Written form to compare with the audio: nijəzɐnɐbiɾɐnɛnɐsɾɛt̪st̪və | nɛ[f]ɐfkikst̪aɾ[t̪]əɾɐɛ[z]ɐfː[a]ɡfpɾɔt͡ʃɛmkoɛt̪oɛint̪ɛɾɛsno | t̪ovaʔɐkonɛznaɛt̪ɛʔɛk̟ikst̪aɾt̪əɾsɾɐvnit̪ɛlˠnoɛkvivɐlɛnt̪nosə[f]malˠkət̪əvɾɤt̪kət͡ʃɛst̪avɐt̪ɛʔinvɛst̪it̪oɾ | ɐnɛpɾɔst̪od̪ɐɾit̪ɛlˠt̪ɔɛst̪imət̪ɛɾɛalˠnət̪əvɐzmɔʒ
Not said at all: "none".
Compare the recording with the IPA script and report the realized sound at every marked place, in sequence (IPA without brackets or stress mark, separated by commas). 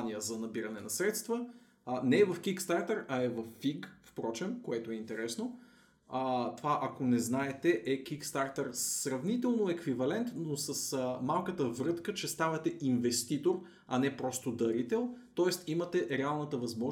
v, t̪, v, i, s